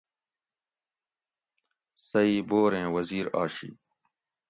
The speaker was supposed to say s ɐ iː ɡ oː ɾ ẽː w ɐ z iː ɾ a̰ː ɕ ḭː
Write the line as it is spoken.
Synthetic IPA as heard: s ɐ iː b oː ɾ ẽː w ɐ z iː ɾ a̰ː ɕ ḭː